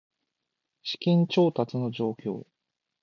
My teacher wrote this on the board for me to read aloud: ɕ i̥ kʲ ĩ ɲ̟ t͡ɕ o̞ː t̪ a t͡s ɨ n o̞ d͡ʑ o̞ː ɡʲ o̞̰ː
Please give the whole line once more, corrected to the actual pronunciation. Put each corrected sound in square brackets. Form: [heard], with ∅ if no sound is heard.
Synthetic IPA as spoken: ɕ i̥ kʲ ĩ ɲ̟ t͡ɕ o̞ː t̪ a t͡s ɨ n o̞ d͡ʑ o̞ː [kʲ] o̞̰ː